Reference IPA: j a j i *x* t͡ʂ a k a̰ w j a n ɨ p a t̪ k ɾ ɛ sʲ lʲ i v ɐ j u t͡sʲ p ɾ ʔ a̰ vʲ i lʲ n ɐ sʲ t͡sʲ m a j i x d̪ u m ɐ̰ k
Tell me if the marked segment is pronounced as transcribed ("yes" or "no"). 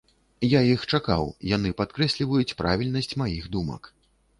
yes